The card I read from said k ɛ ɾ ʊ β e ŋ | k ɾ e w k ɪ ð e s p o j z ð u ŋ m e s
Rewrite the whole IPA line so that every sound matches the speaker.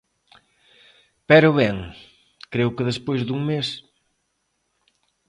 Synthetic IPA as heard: p ɛ ɾ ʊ β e ŋ | k ɾ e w k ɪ ð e s p o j z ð u ŋ m e s